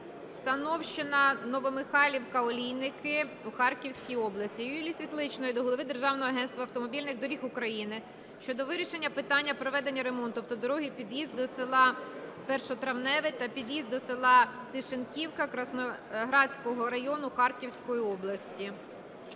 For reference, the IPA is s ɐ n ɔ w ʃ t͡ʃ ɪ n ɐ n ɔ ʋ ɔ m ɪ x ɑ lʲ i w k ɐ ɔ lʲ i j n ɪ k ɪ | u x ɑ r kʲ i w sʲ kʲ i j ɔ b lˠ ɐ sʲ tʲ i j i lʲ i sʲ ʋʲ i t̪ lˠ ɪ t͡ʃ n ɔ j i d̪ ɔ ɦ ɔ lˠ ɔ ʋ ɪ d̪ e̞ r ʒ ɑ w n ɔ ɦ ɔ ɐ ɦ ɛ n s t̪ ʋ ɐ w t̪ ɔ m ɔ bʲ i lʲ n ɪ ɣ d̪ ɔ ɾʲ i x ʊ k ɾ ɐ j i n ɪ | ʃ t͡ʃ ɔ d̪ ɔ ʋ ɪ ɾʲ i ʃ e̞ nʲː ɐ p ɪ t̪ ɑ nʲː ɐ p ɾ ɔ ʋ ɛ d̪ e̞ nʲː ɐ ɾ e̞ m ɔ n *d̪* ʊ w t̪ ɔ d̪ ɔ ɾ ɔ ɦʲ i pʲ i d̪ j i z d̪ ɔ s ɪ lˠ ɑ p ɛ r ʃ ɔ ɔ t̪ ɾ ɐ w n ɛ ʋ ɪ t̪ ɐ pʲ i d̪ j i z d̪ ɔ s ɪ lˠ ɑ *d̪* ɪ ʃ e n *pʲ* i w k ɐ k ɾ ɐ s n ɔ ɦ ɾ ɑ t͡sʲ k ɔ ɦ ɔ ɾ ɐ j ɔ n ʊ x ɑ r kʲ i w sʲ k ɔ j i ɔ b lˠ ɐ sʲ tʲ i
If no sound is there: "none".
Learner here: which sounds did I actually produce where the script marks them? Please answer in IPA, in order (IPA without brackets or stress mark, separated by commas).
t̪, t̪, kʲ